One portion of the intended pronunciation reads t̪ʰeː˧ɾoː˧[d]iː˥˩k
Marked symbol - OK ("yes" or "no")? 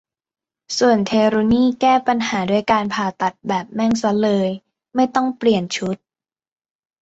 no